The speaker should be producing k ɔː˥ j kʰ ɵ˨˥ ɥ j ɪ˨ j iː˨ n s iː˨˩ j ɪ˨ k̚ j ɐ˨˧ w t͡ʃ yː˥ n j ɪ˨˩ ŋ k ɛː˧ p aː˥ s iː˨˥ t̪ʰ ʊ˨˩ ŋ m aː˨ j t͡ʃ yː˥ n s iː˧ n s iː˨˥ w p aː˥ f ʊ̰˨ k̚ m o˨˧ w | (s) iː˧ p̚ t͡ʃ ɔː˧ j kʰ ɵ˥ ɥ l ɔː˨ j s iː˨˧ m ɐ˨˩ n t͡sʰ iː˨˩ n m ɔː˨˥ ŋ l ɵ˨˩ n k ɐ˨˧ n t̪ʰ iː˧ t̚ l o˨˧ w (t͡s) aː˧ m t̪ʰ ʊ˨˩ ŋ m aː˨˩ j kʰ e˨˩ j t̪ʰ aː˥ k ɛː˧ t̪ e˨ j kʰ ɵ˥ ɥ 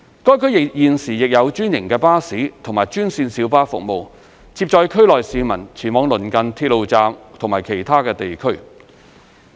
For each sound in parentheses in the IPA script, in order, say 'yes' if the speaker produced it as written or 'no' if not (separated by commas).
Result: no, yes